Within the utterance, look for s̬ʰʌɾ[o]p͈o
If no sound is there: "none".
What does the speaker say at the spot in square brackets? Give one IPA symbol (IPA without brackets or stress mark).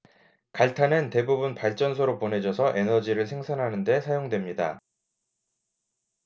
o